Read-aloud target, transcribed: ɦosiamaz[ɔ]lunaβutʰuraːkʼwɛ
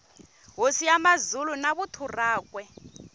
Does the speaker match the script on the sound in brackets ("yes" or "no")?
no